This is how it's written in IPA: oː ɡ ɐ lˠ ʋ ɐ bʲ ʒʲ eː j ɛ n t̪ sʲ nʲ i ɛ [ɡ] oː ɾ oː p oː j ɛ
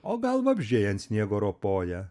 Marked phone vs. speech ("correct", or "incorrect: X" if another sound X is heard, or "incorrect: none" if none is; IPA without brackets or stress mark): correct